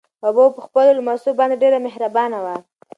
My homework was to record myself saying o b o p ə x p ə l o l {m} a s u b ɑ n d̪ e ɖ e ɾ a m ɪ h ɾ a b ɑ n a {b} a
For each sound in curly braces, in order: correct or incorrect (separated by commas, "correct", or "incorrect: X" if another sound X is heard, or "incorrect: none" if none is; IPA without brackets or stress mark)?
correct, incorrect: w